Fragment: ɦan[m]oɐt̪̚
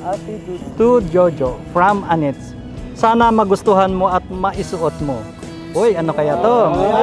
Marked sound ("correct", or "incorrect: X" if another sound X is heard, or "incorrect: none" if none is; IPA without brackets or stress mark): correct